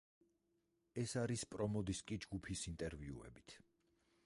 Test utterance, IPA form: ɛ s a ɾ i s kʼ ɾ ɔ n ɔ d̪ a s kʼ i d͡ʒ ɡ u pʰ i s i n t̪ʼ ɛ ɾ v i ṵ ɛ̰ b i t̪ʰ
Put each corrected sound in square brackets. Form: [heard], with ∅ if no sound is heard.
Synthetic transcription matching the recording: ɛ s a ɾ i s [pʼ] ɾ ɔ [m] ɔ d̪ [i] s kʼ i d͡ʒ ɡ u pʰ i s i n t̪ʼ ɛ ɾ v i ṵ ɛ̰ b i t̪ʰ